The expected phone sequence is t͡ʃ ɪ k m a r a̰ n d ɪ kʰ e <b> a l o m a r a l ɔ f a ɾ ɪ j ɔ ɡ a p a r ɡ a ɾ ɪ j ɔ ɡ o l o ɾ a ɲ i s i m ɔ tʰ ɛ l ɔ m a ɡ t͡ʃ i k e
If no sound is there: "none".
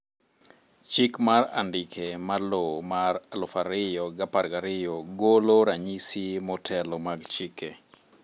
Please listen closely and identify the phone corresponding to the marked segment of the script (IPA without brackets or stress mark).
m